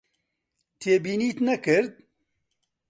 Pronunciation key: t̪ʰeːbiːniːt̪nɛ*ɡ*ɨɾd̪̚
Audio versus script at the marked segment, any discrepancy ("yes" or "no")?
yes